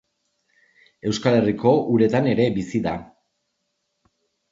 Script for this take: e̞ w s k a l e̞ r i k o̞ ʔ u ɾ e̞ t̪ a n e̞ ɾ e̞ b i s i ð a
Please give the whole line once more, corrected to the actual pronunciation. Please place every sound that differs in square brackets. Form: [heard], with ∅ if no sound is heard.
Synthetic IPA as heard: e̞ w s k a l e̞ r i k o̞ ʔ u ɾ e̞ t̪ a n e̞ ɾ e̞ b i s i ð a